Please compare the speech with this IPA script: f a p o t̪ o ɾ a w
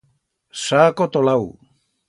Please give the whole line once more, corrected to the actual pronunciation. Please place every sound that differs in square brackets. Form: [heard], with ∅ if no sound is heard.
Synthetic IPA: [s] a [k] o t̪ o [l] a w